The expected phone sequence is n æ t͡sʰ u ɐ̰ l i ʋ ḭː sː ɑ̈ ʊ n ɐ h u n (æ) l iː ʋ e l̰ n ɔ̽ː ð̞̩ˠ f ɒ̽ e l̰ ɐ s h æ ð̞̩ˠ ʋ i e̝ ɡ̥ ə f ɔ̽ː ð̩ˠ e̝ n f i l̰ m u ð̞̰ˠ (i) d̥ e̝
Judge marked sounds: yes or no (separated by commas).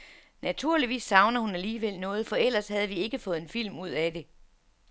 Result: yes, no